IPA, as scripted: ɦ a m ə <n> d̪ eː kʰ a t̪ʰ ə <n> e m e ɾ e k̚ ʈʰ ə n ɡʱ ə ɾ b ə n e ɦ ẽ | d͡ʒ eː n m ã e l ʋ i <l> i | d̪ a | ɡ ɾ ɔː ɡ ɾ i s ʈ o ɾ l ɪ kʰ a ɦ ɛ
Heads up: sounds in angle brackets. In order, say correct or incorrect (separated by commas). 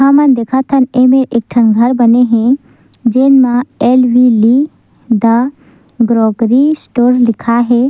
correct, correct, correct